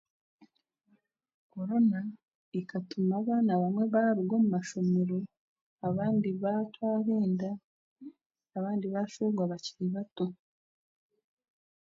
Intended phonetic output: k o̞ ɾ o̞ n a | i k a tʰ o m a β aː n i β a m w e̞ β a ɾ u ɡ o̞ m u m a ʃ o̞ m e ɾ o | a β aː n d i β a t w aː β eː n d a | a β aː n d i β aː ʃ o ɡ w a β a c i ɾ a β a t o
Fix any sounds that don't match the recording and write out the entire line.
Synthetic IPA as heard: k o̞ ɾ o̞ n a | i k a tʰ u m a β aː n a β a m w e̞ β a ɾ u ɡ o̞ m u m a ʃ o̞ m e ɾ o | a β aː n d i β a t w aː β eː n d a | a β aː n d i β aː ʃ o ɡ w a β a c i ɾ i β a t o